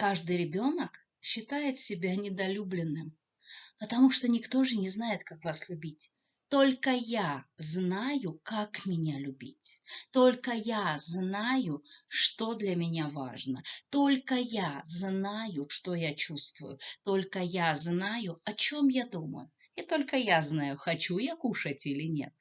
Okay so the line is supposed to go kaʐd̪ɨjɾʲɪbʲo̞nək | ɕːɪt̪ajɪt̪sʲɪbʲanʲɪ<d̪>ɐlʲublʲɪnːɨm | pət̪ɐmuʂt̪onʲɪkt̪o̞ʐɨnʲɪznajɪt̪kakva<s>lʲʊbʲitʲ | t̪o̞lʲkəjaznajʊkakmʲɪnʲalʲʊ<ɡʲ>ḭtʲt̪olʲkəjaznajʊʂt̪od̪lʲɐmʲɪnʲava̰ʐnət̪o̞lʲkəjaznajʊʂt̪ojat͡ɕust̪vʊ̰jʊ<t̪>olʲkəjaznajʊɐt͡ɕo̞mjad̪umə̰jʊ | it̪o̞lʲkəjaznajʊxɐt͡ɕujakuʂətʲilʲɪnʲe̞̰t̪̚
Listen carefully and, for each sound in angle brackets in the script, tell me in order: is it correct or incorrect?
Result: correct, correct, incorrect, correct

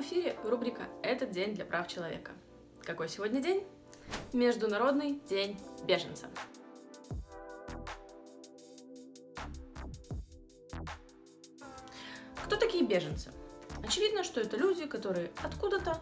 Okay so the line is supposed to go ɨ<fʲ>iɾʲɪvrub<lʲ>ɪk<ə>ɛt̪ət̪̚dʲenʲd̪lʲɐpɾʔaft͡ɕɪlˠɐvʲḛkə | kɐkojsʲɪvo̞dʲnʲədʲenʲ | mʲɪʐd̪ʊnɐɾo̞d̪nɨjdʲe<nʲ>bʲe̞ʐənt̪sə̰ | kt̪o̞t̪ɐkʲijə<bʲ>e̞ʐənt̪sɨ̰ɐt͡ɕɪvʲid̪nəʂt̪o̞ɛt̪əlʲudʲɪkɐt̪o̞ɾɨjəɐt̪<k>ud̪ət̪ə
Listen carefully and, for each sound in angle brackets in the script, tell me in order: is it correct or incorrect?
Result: correct, incorrect, correct, correct, correct, correct

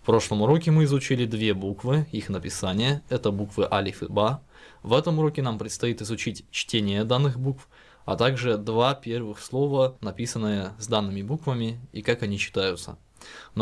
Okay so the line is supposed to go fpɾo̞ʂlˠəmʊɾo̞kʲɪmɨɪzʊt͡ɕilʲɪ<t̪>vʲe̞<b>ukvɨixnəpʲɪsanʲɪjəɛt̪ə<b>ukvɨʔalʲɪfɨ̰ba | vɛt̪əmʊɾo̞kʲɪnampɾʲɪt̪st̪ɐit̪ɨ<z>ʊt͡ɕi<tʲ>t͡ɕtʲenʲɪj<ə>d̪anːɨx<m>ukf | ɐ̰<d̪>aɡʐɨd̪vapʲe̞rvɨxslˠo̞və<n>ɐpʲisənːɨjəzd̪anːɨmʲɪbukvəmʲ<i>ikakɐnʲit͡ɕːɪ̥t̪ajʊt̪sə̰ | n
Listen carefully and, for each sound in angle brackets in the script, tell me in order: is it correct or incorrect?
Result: incorrect, correct, correct, correct, correct, correct, incorrect, incorrect, correct, incorrect

